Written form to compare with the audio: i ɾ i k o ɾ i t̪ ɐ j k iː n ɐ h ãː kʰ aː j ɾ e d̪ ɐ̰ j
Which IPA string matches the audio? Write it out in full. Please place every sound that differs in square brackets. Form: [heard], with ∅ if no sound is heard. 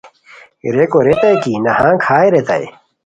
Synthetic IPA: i ɾ [e] k o ɾ [e] t̪ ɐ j k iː n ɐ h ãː kʰ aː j ɾ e [t̪] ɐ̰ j